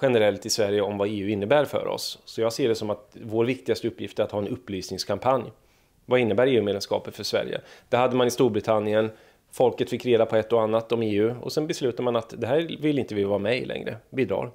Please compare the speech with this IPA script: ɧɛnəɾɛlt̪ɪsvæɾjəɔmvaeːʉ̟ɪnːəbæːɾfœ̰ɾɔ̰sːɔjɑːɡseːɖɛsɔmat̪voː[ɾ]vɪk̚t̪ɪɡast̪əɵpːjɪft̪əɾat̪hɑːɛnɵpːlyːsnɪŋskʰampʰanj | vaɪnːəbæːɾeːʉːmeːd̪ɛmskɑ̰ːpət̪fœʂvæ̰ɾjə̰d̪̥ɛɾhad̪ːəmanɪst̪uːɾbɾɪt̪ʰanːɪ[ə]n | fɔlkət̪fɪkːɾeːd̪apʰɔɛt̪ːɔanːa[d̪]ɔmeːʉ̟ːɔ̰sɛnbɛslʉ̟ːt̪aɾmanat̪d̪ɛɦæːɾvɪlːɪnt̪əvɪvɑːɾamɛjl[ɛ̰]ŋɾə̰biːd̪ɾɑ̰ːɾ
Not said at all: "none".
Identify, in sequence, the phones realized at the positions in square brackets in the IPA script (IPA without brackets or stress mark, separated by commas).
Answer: ɾ, ə, t̪, ɛ̰